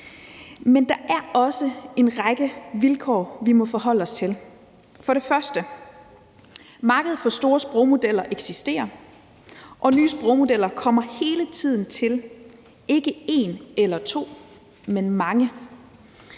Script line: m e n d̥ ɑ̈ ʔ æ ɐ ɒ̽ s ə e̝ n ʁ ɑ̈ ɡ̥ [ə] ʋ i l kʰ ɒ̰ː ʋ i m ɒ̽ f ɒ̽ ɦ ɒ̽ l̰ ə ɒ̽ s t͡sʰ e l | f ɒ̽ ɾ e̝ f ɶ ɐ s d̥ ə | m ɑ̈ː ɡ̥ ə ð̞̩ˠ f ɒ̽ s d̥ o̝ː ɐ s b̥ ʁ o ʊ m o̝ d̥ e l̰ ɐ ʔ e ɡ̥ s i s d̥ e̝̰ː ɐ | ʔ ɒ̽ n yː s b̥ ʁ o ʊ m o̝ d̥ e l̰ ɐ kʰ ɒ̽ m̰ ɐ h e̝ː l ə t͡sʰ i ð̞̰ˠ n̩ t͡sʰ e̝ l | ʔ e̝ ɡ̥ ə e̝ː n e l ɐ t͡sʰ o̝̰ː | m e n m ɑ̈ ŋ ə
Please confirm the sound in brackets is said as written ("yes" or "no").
yes